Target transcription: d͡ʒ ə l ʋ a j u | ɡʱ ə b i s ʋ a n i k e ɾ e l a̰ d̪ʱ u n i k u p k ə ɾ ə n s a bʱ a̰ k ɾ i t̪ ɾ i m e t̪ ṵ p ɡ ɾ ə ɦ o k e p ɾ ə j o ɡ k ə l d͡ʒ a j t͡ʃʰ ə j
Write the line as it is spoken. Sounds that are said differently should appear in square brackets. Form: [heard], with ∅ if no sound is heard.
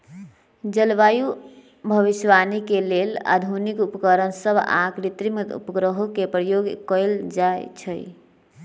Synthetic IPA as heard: d͡ʒ ə l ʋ a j u | [bʱ] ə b i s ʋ a n i k e [l] e l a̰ d̪ʱ u n i k u p k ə ɾ ə n s [ə] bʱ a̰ k ɾ i t̪ ɾ i m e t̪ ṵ p ɡ ɾ ə ɦ o k e p ɾ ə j o ɡ k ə l d͡ʒ a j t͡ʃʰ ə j